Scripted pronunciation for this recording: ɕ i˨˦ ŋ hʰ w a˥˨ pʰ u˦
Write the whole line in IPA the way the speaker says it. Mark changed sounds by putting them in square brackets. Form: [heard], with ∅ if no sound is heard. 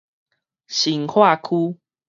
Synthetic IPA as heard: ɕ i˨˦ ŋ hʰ w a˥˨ [kʰ] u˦